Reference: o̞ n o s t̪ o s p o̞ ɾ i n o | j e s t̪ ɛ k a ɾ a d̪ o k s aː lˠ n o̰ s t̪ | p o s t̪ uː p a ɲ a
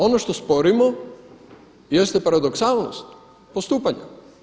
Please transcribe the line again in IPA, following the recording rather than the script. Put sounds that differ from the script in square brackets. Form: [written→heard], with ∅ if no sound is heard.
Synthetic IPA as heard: o̞ n o [s→ʃ] t̪ o s p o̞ ɾ i [n→m] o | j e s t̪ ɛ [k→p] a ɾ a d̪ o k s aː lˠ n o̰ s t̪ | p o s t̪ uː p a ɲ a